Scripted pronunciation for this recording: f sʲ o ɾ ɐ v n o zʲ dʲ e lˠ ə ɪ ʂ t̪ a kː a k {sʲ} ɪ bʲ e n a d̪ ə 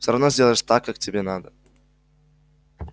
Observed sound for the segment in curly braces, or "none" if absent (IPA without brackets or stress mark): tʲ